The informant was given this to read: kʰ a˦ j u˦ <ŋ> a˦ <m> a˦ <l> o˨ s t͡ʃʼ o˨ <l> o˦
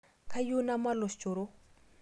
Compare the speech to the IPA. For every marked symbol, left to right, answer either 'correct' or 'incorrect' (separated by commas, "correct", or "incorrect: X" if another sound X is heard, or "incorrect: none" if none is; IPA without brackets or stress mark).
incorrect: n, correct, correct, incorrect: ɾ